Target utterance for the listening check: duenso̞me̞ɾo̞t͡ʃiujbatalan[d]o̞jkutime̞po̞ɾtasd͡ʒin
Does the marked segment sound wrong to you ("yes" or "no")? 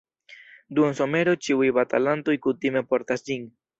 yes